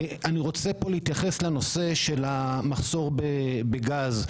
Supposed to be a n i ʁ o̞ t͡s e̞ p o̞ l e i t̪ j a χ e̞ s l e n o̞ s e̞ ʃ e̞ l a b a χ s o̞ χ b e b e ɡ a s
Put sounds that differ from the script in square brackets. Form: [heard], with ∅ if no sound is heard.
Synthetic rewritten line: a n i ʁ o̞ t͡s e̞ p o̞ l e i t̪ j a χ e̞ s l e n o̞ s e̞ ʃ e̞ l a [m] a χ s o̞ [ʁ] b e b e ɡ a [z]